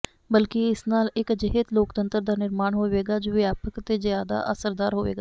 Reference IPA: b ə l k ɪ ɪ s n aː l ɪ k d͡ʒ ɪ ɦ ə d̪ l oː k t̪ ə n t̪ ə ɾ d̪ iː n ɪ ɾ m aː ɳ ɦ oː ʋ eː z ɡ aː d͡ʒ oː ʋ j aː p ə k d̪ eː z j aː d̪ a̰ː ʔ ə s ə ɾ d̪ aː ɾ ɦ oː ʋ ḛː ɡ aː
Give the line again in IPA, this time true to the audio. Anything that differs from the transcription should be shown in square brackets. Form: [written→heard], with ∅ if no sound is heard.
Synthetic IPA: b ə l k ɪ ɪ s n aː l ɪ k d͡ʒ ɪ ɦ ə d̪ l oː k t̪ ə n t̪ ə ɾ d̪ [iː→aː] n ɪ ɾ m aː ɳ ɦ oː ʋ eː [z→∅] ɡ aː d͡ʒ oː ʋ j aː p ə k [d̪→t̪] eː z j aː d̪ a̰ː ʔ ə s ə ɾ d̪ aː ɾ ɦ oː ʋ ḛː ɡ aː

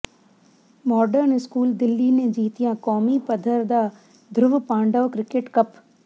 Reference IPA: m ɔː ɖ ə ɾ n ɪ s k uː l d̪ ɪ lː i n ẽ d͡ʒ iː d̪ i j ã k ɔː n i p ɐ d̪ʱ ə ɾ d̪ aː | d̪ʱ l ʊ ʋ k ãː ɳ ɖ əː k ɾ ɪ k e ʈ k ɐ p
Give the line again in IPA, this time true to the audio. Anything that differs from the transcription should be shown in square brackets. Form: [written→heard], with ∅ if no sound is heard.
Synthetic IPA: m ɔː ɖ ə ɾ n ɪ s k uː l d̪ ɪ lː i n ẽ d͡ʒ iː [d̪→t̪] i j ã k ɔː [n→m] i p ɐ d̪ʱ ə ɾ d̪ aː | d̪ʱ [l→ɾ] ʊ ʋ [k→p] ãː ɳ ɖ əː k ɾ ɪ k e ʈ k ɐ p

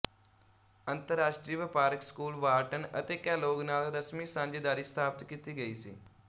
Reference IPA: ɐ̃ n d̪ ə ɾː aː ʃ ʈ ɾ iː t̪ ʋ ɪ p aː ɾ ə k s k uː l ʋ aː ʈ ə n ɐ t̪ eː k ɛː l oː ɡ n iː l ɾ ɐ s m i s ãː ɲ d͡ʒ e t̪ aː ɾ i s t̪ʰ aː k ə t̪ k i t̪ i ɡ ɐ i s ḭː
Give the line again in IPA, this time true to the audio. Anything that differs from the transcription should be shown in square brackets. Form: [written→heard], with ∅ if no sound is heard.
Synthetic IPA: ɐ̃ n [d̪→t̪] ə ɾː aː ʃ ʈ ɾ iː [t̪→∅] ʋ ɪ p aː ɾ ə k s k uː l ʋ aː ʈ ə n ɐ t̪ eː k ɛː l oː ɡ n [iː→aː] l ɾ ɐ s m i s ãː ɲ d͡ʒ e [t̪→d̪] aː ɾ i s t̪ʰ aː [k→p] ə t̪ k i t̪ i ɡ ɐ i s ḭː

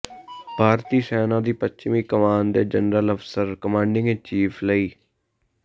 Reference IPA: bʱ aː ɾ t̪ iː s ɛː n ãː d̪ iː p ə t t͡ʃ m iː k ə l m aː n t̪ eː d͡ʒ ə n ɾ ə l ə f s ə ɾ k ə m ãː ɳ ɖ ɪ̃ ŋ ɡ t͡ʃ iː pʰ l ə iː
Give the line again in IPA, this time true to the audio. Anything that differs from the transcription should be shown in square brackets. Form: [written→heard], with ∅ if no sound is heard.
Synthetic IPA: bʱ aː ɾ t̪ iː s ɛː n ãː d̪ iː p ə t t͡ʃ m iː k ə [l→∅] m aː n [t̪→d̪] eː d͡ʒ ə n ɾ ə l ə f s ə ɾ k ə m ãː ɳ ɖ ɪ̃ ŋ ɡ t͡ʃ iː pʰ l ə iː

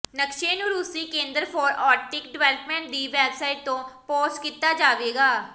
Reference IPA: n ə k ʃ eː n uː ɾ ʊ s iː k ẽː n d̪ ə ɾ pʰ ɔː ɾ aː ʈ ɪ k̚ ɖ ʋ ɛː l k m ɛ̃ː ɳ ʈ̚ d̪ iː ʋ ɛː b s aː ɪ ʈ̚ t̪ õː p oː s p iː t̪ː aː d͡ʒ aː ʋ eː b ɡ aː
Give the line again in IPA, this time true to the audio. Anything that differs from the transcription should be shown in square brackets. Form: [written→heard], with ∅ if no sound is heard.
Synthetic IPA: n ə k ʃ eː n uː ɾ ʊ s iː k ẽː n d̪ ə ɾ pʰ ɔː ɾ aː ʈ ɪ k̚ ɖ ʋ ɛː l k m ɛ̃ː ɳ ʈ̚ d̪ iː ʋ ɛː b s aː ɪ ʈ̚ t̪ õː p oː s [p→k] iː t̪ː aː d͡ʒ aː ʋ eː [b→∅] ɡ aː

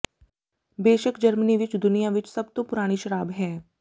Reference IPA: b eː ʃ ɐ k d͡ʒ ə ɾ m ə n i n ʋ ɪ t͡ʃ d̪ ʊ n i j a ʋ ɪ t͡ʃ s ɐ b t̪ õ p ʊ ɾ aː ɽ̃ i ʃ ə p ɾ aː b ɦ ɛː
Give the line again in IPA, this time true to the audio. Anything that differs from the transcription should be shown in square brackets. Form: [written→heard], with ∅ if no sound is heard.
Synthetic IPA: b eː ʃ [ɐ→ə] k d͡ʒ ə ɾ m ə n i [n→∅] ʋ ɪ t͡ʃ d̪ ʊ n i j a ʋ ɪ t͡ʃ s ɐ b t̪ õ p ʊ ɾ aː ɽ̃ i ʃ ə [p→∅] ɾ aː b ɦ ɛː

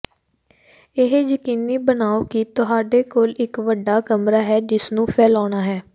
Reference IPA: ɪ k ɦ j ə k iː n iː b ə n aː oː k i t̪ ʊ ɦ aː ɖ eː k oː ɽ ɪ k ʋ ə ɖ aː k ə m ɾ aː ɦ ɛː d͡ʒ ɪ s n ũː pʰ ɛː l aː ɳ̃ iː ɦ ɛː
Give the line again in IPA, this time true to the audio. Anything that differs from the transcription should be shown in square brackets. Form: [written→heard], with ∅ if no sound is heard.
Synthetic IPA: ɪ [k→∅] ɦ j ə k iː n iː b ə n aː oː k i t̪ ʊ ɦ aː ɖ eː k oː [ɽ→l] ɪ k ʋ ə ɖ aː k ə m ɾ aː ɦ ɛː d͡ʒ ɪ s n ũː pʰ ɛː l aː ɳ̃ [iː→aː] ɦ ɛː

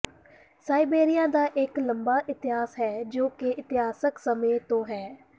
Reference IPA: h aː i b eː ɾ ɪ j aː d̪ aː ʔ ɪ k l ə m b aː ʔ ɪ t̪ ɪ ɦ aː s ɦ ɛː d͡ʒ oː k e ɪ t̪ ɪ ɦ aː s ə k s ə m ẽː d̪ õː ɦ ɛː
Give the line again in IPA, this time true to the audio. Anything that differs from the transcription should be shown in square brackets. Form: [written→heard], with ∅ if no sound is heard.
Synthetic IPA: [h→s] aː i b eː ɾ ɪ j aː d̪ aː ʔ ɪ k l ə m b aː ʔ ɪ t̪ ɪ ɦ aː s ɦ ɛː d͡ʒ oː k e ɪ t̪ ɪ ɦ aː s ə k s ə m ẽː [d̪→t̪] õː ɦ ɛː

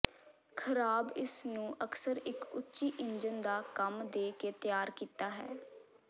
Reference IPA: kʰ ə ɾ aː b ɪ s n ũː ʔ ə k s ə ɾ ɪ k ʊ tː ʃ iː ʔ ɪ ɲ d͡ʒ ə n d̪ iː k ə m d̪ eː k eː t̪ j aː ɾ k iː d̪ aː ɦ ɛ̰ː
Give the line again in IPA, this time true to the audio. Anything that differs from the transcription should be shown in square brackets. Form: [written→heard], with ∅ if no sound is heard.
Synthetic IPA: kʰ ə ɾ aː b ɪ s n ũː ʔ ə k s ə ɾ ɪ k ʊ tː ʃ iː ʔ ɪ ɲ d͡ʒ ə n d̪ [iː→aː] k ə m d̪ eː k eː t̪ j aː ɾ k iː [d̪→t̪] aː ɦ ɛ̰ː

